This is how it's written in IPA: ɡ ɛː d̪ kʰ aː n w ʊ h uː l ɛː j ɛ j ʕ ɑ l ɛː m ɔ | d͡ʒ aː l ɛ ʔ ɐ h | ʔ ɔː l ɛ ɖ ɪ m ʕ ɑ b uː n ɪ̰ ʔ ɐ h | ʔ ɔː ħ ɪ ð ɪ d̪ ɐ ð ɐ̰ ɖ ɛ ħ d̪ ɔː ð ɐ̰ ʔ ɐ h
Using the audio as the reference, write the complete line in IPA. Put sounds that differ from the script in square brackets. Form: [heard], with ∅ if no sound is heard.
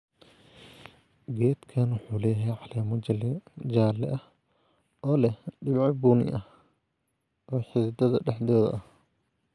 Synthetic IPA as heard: ɡ ɛː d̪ kʰ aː n w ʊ [ħ] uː l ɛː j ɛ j ʕ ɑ l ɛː m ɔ | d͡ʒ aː l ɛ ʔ ɐ h | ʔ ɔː l ɛ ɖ ɪ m ʕ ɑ b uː n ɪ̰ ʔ ɐ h | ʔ ɔː ħ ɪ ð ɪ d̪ ɐ ð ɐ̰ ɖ ɛ ħ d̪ ɔː ð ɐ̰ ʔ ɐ h